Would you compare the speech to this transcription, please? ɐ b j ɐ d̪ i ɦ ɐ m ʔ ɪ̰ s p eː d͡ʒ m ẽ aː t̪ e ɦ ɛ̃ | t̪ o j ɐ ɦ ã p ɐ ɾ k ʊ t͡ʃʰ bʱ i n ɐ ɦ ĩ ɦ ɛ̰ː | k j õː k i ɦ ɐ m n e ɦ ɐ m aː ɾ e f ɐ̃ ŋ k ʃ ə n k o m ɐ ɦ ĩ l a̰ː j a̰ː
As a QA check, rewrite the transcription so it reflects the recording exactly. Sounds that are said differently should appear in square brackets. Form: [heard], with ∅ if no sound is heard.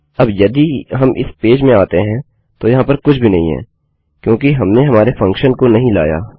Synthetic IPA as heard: ɐ b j ɐ d̪ i ɦ ɐ m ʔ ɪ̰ s p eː d͡ʒ m ẽ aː t̪ e ɦ ɛ̃ | t̪ o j ɐ ɦ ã p ɐ ɾ k ʊ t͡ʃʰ bʱ i n ɐ ɦ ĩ ɦ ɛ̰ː | k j õː k i ɦ ɐ m n e ɦ ɐ m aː ɾ e f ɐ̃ ŋ k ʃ ə n k o [n] ɐ ɦ ĩ l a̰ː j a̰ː